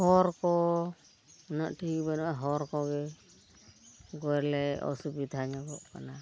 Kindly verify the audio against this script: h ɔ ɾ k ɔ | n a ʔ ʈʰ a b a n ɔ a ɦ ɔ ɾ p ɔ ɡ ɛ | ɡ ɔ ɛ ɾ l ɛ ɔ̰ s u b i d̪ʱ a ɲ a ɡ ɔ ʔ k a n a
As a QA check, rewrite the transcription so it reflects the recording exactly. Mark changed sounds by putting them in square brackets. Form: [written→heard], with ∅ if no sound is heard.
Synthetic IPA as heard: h ɔ ɾ k ɔ | n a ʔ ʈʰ [a→i] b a n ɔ a ɦ ɔ ɾ [p→k] ɔ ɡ ɛ | ɡ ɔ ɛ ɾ l ɛ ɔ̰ s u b i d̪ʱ a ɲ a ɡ ɔ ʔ k a n a